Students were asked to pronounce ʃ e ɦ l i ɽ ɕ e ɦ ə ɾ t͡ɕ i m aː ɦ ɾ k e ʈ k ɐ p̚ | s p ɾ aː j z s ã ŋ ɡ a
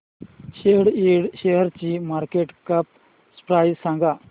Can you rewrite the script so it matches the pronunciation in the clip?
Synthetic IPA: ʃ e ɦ ɽ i ɽ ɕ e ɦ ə ɾ t͡ɕ i m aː ɾ k e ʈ k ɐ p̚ | s p ɾ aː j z s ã ŋ ɡ a